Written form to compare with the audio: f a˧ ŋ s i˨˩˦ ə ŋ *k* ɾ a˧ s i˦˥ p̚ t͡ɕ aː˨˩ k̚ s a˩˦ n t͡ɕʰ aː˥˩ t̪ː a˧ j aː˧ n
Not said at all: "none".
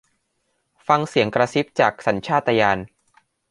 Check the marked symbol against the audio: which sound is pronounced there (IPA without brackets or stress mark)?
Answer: k